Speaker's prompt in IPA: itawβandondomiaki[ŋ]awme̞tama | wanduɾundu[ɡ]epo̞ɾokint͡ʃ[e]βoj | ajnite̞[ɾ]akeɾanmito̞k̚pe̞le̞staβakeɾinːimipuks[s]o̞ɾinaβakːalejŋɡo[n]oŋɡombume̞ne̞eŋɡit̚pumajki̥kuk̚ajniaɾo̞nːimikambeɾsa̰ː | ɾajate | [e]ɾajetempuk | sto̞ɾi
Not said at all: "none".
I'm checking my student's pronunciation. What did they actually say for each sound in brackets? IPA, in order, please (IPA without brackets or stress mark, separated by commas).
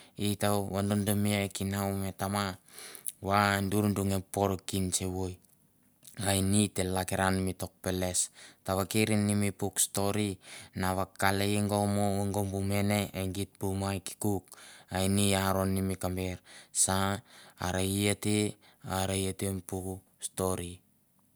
n, ŋ, e, l, t, m, a